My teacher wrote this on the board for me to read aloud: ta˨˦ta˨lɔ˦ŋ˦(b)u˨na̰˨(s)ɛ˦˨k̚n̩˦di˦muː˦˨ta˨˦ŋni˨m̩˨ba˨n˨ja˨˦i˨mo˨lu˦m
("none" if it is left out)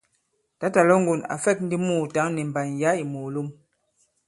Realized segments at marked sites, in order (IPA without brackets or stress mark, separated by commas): ɡ, f